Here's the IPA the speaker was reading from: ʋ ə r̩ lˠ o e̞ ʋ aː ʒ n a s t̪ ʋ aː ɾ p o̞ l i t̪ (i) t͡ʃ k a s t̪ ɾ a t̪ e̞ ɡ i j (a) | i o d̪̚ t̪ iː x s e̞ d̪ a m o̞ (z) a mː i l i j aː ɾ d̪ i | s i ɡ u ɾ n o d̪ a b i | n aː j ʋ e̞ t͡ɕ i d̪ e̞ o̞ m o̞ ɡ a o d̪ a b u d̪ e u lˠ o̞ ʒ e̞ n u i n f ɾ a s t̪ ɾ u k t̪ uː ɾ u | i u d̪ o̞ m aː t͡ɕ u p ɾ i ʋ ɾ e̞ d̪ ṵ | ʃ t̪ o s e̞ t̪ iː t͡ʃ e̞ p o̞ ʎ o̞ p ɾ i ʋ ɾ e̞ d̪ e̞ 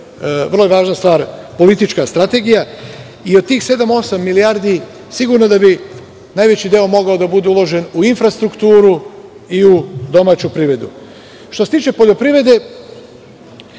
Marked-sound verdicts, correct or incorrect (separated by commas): correct, correct, incorrect